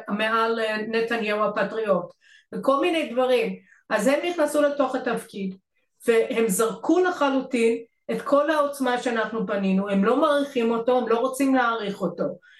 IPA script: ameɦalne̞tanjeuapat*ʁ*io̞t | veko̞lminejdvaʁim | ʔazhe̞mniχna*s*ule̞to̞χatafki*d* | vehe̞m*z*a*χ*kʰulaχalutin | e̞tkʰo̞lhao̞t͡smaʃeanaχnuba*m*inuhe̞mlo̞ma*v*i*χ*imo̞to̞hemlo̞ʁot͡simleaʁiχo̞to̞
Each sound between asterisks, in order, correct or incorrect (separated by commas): correct, correct, correct, correct, incorrect, incorrect, incorrect, correct